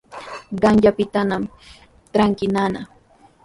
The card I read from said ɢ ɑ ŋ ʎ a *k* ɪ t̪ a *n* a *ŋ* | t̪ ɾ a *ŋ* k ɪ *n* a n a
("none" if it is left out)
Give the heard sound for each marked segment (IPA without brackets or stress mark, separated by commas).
p, n, m, ŋ, n